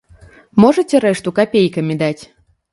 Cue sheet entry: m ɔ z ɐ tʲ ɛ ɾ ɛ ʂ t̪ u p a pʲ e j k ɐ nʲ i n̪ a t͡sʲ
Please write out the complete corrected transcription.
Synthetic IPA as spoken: m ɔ ʐ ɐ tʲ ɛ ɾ ɛ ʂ t̪ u k a pʲ e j k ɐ mʲ i d̪ a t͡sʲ